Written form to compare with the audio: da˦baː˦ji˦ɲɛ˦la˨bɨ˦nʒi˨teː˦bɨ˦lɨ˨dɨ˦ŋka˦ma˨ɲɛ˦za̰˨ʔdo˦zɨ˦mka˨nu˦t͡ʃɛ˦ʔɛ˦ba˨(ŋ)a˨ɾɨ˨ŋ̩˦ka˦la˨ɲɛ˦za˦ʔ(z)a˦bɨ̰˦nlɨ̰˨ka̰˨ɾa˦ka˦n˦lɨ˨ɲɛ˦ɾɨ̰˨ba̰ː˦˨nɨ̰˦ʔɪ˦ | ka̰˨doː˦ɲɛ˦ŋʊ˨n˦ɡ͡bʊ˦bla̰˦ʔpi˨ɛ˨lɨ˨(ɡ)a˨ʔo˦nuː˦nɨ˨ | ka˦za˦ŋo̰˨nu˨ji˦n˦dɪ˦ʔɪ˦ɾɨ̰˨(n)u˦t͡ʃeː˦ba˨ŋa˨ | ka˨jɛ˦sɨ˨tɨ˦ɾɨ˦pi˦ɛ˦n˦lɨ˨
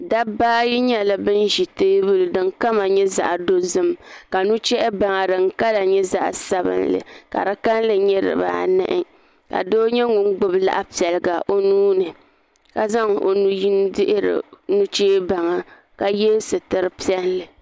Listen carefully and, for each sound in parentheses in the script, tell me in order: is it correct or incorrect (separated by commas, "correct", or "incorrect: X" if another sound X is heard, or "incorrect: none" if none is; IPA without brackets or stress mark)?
correct, incorrect: s, correct, correct